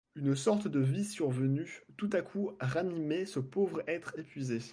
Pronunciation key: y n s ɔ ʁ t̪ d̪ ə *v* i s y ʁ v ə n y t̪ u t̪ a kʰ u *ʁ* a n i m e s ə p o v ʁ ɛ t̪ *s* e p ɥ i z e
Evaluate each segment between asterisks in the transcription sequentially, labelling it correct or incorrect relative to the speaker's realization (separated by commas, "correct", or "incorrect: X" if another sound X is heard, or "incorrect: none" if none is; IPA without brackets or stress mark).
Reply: correct, correct, incorrect: χ